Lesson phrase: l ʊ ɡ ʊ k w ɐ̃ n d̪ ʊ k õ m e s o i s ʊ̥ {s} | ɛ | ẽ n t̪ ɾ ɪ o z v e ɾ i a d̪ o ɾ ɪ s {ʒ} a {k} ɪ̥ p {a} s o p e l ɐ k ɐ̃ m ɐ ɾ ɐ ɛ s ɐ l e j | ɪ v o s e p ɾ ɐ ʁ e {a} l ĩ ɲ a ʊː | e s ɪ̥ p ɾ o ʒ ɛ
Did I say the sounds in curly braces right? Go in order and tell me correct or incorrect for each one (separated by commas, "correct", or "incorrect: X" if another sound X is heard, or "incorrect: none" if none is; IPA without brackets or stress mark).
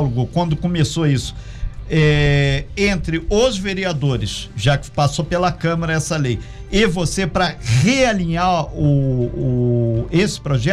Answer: incorrect: none, correct, correct, correct, correct